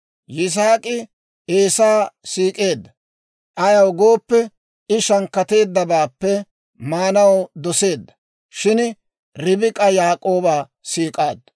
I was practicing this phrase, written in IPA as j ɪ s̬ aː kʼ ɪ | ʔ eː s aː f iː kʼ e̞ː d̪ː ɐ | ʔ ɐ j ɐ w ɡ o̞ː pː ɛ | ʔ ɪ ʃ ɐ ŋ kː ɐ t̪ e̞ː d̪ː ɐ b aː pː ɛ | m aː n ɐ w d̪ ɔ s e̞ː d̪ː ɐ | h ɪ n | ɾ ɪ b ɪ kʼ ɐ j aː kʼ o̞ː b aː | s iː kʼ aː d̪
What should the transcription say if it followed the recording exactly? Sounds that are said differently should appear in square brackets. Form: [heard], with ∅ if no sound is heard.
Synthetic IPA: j ɪ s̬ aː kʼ ɪ | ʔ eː s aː [s] iː kʼ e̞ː d̪ː ɐ | ʔ ɐ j ɐ w ɡ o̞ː pː ɛ | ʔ ɪ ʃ ɐ ŋ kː ɐ t̪ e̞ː d̪ː ɐ b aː pː ɛ | m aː n ɐ w d̪ ɔ s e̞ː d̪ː ɐ | [ʃ] ɪ n | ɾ ɪ b ɪ kʼ ɐ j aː kʼ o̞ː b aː | s iː kʼ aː d̪